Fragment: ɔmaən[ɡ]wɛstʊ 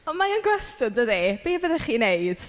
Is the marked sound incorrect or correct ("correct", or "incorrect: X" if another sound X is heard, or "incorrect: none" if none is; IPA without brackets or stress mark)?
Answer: correct